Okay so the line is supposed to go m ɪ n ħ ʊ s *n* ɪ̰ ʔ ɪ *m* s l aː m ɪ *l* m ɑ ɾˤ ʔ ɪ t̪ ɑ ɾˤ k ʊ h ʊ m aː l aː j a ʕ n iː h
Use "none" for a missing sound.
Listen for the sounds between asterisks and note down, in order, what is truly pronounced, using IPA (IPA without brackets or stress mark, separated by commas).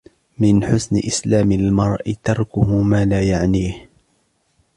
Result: n, none, l